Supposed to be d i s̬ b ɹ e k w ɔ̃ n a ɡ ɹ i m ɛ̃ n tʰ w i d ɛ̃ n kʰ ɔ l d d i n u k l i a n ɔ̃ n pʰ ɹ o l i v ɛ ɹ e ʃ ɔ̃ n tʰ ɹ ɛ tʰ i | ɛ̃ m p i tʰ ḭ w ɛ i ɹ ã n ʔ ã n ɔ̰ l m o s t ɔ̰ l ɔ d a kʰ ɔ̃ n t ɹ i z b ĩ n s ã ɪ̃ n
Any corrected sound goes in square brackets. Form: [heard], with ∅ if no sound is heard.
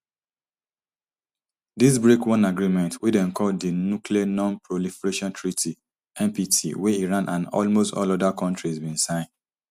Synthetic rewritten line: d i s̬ b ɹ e k w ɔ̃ n a ɡ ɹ i m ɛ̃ n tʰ w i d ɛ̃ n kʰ ɔ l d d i n u k l i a n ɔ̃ n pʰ ɹ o l i [f] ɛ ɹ e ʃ ɔ̃ n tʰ ɹ [i] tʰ i | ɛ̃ m p i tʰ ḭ w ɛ i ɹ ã n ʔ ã n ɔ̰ l m o s t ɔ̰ l ɔ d a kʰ ɔ̃ n t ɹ i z b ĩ n s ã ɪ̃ n